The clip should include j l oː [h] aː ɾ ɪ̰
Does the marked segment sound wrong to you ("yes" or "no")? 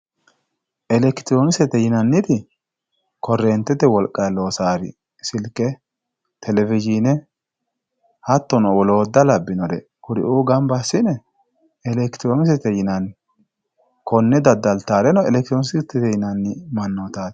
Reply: yes